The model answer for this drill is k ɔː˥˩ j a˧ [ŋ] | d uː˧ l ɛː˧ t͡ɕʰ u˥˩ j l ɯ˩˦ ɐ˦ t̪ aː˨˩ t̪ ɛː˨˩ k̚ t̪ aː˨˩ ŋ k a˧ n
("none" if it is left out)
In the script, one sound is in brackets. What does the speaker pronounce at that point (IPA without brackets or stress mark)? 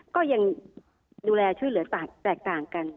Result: ŋ